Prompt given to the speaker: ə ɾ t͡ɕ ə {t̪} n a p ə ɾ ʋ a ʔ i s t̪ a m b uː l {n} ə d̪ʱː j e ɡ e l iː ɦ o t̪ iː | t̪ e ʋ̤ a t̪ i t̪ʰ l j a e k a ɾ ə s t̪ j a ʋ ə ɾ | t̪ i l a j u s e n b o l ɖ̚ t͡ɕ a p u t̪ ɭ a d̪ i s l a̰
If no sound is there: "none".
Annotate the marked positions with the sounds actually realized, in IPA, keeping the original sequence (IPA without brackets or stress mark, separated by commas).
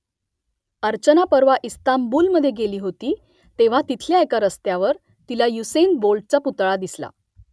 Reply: none, m